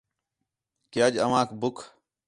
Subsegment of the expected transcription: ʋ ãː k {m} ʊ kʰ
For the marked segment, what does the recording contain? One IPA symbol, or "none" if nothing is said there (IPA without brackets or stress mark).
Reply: b